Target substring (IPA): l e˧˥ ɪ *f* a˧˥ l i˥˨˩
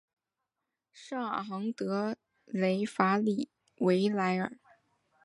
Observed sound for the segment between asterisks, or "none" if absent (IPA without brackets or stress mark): f